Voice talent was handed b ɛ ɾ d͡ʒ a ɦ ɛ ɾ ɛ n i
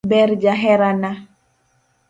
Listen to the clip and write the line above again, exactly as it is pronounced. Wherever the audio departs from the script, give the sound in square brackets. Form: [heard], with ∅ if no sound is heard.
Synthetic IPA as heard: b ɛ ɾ d͡ʒ a ɦ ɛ ɾ [a] n [a]